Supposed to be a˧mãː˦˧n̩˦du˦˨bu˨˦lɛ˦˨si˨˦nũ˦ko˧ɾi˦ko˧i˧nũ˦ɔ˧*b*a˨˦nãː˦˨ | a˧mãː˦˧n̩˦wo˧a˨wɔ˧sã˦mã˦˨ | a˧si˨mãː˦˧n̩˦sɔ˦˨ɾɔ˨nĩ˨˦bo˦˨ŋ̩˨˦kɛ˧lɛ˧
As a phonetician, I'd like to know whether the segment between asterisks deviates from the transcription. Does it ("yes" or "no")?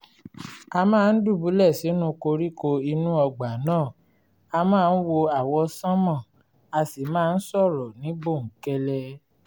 yes